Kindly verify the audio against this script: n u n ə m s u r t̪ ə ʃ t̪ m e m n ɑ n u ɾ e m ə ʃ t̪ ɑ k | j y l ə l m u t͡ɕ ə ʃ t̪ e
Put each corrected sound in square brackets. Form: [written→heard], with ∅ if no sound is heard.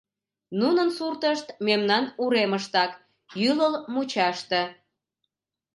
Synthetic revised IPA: n u n ə [m→n] s u r t̪ ə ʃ t̪ m e m n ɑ n u ɾ e m ə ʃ t̪ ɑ k | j y l ə l m u t͡ɕ [ə→ɑ] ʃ t̪ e